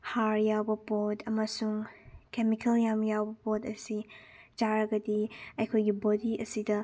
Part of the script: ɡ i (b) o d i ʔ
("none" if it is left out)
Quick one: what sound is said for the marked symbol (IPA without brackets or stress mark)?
b